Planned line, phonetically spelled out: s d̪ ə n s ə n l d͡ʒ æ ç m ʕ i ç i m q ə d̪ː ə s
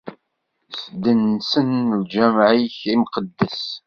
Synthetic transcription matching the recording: s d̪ ə n s ə n l d͡ʒ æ m ʕ i ç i m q ə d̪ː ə s